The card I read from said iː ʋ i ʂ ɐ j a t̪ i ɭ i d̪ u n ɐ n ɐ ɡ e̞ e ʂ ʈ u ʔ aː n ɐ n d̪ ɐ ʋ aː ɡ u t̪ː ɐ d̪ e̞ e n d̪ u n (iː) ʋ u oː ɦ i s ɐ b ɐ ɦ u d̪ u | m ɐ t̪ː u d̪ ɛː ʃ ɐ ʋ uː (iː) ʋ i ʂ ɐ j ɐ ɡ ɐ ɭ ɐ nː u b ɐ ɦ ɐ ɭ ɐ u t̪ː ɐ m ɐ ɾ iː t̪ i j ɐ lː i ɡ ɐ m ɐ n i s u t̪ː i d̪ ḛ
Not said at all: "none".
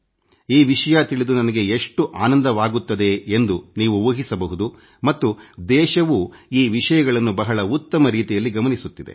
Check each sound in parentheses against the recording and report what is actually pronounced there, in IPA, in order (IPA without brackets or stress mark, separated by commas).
iː, iː